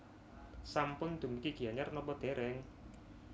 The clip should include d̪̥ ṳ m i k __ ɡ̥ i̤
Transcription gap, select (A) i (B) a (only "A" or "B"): A